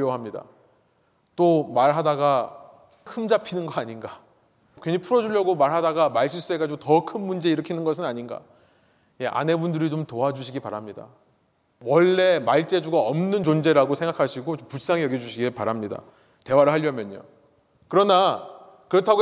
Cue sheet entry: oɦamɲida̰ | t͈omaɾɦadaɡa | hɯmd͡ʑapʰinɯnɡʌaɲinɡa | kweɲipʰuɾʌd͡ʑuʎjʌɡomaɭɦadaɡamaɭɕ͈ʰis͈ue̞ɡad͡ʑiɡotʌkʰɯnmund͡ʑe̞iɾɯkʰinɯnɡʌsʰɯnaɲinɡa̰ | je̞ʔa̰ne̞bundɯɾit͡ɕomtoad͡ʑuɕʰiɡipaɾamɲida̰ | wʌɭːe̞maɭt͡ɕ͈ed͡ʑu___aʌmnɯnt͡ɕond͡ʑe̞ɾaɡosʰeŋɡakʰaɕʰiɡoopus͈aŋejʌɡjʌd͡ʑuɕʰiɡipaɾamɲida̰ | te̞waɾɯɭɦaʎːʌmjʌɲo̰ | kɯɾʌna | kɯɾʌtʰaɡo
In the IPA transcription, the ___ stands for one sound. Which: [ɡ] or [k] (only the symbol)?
ɡ